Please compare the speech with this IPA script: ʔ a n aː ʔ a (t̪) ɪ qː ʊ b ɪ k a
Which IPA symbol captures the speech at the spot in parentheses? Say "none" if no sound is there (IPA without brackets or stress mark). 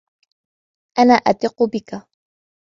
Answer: t̪